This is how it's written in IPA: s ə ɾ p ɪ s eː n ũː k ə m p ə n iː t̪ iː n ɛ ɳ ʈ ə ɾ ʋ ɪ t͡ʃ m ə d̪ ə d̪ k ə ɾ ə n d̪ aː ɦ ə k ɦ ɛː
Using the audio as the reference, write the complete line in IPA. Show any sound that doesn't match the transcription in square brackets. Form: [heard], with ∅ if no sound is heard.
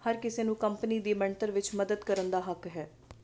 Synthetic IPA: [h] ə ɾ [k] ɪ s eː n ũː k ə m p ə n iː [d̪] iː [m] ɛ ɳ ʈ ə ɾ ʋ ɪ t͡ʃ m ə d̪ ə d̪ k ə ɾ ə n d̪ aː ɦ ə k ɦ ɛː

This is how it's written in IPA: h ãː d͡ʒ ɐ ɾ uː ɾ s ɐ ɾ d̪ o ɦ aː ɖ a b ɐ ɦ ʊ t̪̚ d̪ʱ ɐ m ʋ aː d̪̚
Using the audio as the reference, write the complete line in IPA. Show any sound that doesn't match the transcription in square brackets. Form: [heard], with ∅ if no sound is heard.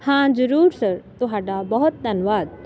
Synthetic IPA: h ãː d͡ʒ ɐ ɾ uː ɾ s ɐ ɾ [t̪] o ɦ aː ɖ a b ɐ ɦ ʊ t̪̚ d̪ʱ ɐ [n] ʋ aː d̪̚

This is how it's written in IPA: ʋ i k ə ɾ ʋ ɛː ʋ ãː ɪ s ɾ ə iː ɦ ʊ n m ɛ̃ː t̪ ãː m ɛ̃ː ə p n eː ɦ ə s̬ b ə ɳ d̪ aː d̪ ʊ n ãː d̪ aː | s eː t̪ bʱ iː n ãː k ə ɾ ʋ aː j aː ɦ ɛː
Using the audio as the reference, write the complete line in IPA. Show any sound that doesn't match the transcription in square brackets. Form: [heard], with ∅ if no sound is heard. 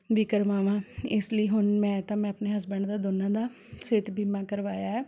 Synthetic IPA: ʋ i k ə ɾ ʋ [aː] ʋ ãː ɪ s [l] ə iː ɦ ʊ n m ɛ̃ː t̪ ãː m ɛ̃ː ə p n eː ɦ ə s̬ b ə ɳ d̪ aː d̪ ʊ n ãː d̪ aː | s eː t̪ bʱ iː [m] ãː k ə ɾ ʋ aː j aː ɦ ɛː

